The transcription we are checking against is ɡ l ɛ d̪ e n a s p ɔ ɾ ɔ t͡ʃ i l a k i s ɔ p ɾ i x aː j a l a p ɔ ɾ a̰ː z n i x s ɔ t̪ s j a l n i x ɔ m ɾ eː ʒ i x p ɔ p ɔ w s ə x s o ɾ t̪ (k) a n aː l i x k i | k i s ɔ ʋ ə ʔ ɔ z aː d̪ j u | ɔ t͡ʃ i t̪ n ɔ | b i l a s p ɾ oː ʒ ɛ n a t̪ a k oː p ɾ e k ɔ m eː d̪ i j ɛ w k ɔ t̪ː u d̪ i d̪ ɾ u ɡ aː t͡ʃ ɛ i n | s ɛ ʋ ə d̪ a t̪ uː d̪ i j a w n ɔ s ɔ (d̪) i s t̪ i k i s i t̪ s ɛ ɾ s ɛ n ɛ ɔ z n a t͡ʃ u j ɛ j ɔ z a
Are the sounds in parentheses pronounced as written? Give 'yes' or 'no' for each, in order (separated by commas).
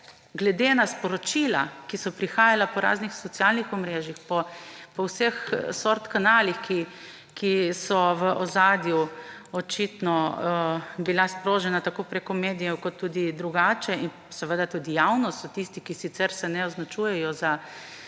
yes, no